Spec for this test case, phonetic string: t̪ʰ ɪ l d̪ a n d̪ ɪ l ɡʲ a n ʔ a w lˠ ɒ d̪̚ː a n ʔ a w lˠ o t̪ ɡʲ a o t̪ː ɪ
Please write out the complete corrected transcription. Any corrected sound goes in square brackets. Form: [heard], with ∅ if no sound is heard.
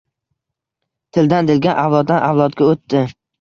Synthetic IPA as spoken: t̪ʰ ɪ l d̪ a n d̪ ɪ l ɡʲ a n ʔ a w lˠ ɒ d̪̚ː a n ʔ a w lˠ [ɒ] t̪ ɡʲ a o t̪ː ɪ